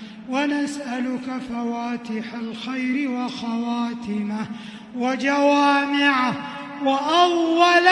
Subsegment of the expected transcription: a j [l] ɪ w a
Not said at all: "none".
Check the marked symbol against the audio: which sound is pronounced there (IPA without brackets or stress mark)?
ɾ